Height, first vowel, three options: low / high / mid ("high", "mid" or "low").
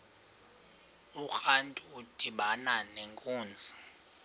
high